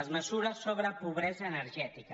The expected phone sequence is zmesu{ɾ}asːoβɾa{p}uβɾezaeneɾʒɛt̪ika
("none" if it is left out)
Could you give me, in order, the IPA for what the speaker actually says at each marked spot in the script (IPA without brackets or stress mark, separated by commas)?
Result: ɾ, p